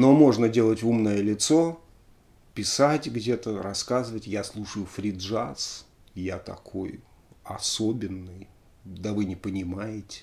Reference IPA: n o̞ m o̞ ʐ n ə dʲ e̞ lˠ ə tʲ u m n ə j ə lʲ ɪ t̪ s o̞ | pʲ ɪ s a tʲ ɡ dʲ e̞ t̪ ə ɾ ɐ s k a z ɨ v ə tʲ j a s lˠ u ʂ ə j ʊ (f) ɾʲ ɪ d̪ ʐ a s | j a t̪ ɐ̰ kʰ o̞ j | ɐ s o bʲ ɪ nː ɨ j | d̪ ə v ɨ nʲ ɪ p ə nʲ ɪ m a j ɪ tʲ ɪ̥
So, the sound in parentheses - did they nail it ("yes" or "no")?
yes